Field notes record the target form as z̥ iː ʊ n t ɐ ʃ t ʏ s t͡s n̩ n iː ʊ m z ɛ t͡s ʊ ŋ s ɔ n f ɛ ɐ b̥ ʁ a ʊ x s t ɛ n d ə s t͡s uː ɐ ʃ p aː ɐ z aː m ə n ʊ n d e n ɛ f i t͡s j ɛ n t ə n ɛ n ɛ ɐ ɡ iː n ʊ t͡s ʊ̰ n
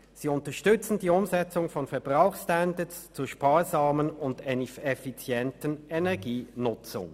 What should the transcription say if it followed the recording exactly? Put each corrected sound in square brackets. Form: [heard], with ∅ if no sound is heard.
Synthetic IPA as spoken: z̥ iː ʊ n t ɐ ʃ t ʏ [∅] t͡s n̩ [d] iː ʊ m z ɛ t͡s ʊ ŋ [f] ɔ n f ɛ ɐ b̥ ʁ a ʊ x s t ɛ n d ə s t͡s uː ɐ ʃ p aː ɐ z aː m ə n ʊ n d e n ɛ f i t͡s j ɛ n t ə n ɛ n ɛ ɐ ɡ iː n ʊ t͡s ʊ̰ [ŋ]